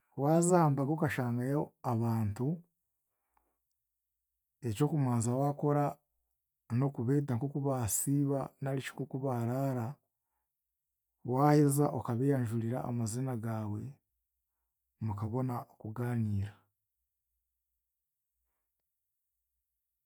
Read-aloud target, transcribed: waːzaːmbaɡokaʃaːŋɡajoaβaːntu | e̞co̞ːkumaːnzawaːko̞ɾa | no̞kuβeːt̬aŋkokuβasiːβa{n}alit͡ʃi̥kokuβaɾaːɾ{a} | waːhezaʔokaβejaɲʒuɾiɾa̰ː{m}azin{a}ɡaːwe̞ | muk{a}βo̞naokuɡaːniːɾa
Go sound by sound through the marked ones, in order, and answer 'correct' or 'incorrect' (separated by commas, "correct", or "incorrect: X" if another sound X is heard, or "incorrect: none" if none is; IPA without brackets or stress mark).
correct, correct, correct, correct, correct